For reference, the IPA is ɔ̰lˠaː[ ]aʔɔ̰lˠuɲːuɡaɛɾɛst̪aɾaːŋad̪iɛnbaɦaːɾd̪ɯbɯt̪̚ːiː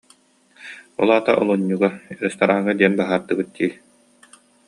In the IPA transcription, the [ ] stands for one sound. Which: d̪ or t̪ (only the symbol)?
t̪